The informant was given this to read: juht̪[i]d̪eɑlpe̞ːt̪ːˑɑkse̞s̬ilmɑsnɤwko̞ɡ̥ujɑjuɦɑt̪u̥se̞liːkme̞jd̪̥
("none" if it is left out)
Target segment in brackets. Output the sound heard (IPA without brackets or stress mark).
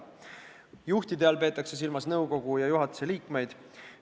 i